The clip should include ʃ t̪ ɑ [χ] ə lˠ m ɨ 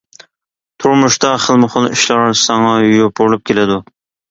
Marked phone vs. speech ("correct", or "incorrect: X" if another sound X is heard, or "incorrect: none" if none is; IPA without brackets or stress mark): correct